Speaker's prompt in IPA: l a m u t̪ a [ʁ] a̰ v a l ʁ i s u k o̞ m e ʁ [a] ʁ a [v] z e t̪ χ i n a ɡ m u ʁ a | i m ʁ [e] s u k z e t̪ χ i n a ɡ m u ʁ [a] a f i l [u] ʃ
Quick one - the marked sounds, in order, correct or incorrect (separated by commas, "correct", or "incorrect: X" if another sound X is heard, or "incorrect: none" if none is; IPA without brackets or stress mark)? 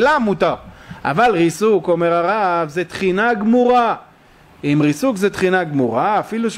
correct, correct, correct, incorrect: i, correct, correct